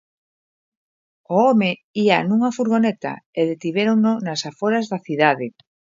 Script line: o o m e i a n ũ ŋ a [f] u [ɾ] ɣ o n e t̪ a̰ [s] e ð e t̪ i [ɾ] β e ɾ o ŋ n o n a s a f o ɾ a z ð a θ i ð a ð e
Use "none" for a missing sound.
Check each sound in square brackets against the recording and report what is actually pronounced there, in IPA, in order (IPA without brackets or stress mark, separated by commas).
f, ɾ, none, none